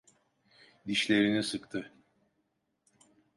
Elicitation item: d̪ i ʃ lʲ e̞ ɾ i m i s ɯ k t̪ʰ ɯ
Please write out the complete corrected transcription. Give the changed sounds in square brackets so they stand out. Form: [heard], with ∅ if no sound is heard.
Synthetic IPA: d̪ i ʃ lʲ e̞ ɾ i [n] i s ɯ k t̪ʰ ɯ

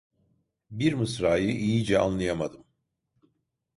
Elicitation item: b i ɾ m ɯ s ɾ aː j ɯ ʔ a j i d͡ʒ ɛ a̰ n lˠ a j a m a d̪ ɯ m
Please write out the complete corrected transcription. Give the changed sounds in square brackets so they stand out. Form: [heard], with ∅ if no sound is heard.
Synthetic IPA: b i ɾ m ɯ s ɾ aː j ɯ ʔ [i] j i d͡ʒ ɛ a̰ n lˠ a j a m a d̪ ɯ m

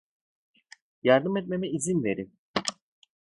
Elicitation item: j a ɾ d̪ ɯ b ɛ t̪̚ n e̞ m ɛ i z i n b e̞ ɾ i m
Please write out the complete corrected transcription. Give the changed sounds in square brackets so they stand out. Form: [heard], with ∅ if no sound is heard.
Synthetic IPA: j a ɾ d̪ ɯ [m] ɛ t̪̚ [m] e̞ m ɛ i z i n [v] e̞ ɾ i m

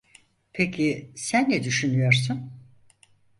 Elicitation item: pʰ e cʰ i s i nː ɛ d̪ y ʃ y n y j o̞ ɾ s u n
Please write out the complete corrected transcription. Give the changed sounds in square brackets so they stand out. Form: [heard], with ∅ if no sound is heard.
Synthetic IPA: pʰ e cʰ i s [æ] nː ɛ d̪ y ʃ y n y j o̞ ɾ s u n

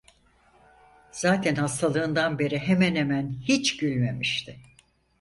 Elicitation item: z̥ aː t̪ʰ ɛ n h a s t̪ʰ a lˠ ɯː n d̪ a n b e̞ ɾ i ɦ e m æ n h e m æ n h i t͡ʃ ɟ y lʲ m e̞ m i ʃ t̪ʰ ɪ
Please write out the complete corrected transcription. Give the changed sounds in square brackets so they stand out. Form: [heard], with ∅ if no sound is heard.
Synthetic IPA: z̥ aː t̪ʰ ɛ n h a s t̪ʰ a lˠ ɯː n d̪ a n b e̞ ɾ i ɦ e m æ n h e m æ n h i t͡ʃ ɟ y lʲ m e̞ m i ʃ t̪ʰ ɪ

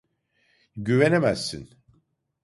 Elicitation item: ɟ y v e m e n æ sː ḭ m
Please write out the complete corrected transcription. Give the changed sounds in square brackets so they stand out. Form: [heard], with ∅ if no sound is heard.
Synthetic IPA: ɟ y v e [n] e [m] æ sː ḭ [n]

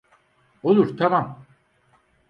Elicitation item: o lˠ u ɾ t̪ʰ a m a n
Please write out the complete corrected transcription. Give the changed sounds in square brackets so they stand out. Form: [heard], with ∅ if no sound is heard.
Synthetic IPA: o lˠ u ɾ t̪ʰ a m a [m]

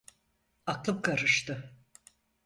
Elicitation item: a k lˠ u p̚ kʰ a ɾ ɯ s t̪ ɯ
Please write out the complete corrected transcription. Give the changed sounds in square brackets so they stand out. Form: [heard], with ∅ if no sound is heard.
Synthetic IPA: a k lˠ [ɯ] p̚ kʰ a ɾ ɯ [ʃ] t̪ ɯ

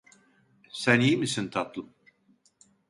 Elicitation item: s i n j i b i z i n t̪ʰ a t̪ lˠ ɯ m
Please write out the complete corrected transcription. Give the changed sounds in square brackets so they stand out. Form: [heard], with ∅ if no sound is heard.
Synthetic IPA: s [æ] n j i [m] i [s] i n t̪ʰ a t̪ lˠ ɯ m

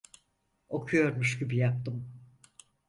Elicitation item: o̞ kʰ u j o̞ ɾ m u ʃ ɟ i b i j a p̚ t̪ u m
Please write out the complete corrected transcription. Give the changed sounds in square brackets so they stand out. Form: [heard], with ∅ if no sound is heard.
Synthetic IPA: o̞ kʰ u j o̞ ɾ m u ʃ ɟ i b i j a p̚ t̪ [ɯ] m

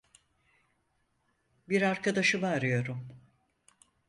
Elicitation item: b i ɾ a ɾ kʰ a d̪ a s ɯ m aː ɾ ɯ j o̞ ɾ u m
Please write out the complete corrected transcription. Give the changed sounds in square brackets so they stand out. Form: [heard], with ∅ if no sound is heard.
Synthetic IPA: b i ɾ a ɾ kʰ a d̪ a [ʃ] ɯ m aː ɾ ɯ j o̞ ɾ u m

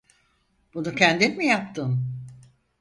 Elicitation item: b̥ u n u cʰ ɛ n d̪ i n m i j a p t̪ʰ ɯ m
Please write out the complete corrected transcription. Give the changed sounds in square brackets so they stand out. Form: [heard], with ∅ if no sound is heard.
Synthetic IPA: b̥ u n u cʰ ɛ n d̪ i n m i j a p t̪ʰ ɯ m

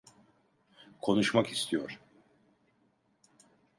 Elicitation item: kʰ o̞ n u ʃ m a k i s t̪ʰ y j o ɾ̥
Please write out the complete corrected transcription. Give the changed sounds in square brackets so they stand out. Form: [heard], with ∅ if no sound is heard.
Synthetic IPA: kʰ o̞ n u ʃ m a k i s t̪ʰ [i] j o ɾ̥

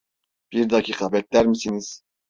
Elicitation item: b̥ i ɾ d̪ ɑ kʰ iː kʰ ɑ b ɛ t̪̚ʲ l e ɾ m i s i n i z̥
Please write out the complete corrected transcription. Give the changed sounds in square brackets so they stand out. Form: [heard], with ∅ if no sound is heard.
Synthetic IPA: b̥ i ɾ d̪ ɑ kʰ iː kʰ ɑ b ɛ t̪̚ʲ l [æ] ɾ m i s i n i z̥

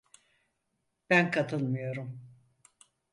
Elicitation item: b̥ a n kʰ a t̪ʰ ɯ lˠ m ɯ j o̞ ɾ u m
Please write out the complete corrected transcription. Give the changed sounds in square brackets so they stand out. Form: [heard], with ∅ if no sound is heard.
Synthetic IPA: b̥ [æ] n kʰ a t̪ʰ ɯ lˠ m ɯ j o̞ ɾ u m

